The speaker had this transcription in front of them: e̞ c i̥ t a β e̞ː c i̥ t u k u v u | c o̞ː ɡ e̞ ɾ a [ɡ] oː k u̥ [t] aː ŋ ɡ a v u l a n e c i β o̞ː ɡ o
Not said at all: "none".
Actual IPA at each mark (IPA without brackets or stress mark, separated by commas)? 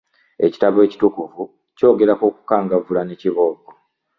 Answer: k, k